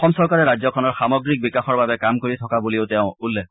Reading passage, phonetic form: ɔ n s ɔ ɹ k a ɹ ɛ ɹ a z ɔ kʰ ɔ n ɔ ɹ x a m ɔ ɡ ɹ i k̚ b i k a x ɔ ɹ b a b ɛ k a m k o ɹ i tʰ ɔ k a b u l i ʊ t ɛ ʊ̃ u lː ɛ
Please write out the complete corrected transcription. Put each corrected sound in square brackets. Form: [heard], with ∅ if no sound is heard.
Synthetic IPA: ɔ [m] s ɔ ɹ k a ɹ ɛ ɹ a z ɔ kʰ ɔ n ɔ ɹ x a m ɔ ɡ ɹ i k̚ b i k a x ɔ ɹ b a b ɛ k a m k o ɹ i tʰ ɔ k a b u l i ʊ t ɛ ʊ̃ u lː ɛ